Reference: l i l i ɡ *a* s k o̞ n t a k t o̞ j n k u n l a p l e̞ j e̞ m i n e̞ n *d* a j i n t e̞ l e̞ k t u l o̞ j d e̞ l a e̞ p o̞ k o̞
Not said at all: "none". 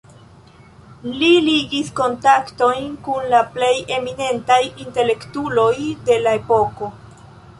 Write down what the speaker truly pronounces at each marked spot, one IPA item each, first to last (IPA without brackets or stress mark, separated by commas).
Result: i, t